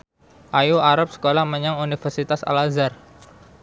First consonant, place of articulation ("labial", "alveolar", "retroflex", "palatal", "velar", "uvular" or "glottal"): glottal